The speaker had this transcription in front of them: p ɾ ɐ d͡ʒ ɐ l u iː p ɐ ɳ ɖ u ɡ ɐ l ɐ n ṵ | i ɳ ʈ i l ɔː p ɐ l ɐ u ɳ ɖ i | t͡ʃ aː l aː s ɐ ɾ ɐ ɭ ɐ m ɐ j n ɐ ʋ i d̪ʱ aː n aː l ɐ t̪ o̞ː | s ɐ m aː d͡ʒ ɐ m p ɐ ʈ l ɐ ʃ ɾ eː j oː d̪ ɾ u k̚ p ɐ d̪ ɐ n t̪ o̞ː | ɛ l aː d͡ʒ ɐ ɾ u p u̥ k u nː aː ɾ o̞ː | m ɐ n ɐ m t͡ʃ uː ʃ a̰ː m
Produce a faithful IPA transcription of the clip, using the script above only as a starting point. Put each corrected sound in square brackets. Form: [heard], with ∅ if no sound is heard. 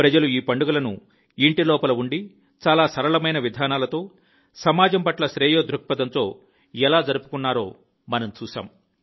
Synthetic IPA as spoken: p ɾ ɐ d͡ʒ ɐ l u iː p ɐ ɳ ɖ u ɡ ɐ l ɐ n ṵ | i ɳ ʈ i l ɔː p ɐ l ɐ u ɳ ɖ i | t͡ʃ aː l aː s ɐ ɾ ɐ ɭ ɐ m ɐ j n ɐ ʋ i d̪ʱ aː n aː l ɐ t̪ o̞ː | s ɐ m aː d͡ʒ ɐ m p ɐ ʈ l ɐ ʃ ɾ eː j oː d̪ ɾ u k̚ p ɐ d̪ ɐ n t̪ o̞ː | ɛ l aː d͡ʒ ɐ ɾ u p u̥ k u nː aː ɾ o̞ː | m ɐ n ɐ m t͡ʃ uː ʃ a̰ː m